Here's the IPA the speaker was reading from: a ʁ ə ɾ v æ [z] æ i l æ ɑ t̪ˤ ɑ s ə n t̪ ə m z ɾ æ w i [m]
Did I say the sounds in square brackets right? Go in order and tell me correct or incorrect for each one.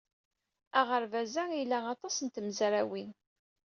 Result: correct, incorrect: n

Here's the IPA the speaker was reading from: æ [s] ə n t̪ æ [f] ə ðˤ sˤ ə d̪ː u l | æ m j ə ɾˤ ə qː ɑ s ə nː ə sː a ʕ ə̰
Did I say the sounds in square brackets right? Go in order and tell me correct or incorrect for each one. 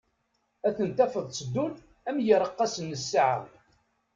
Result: incorrect: θ, correct

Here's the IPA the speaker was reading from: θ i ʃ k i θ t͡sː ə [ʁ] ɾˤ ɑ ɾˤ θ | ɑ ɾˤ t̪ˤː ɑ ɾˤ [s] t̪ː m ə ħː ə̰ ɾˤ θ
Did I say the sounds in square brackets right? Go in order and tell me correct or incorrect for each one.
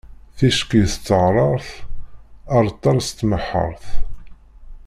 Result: correct, correct

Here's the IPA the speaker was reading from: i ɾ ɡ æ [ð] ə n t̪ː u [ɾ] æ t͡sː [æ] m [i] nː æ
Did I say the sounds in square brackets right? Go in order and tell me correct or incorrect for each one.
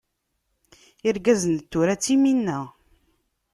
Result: incorrect: z, correct, incorrect: i, correct

